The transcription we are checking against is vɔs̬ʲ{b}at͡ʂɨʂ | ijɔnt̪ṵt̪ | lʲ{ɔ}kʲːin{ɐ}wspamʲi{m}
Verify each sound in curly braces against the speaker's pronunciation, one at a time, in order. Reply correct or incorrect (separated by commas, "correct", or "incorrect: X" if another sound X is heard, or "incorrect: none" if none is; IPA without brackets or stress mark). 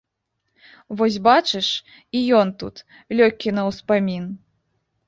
correct, correct, correct, incorrect: n